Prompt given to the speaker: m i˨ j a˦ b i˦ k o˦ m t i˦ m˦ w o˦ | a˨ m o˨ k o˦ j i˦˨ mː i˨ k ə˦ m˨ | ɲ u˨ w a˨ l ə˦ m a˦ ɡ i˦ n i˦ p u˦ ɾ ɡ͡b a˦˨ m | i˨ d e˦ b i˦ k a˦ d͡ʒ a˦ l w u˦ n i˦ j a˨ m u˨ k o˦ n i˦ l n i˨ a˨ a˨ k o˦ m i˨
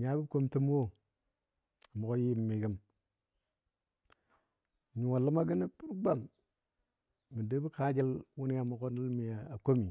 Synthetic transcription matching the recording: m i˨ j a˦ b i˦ k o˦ m t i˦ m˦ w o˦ | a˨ m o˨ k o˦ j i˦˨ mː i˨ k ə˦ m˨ | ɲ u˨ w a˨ l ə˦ m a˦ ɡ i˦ n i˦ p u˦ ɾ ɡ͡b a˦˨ m | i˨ d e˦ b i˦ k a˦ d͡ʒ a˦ l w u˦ n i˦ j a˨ m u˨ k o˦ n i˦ l m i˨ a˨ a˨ k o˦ m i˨